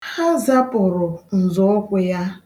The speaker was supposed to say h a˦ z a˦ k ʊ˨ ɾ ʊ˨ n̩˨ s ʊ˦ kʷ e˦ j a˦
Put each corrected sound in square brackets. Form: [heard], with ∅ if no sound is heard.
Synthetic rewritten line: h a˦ z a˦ [p] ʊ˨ ɾ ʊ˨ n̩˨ [z] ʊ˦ kʷ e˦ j a˦